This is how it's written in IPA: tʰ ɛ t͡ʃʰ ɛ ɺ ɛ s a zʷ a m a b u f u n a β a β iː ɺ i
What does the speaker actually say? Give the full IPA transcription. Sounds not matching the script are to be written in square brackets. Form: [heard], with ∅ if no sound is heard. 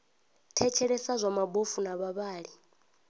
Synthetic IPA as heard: tʰ ɛ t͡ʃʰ ɛ ɺ ɛ s a zʷ a m a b [o] f u n a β a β [aː] ɺ i